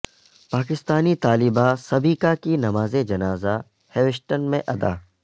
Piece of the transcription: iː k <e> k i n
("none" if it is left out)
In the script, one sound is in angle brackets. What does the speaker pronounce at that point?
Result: a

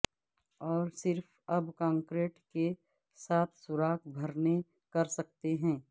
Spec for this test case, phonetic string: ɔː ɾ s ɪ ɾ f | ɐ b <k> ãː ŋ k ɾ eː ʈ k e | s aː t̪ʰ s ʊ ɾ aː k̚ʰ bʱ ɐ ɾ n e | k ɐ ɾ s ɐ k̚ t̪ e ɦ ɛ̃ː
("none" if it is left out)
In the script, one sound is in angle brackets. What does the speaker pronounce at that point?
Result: k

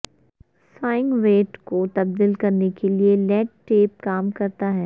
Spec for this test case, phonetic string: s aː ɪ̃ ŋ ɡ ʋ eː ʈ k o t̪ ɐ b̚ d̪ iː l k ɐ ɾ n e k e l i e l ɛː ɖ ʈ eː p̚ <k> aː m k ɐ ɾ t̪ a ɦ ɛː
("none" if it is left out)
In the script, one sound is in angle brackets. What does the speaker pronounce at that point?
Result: k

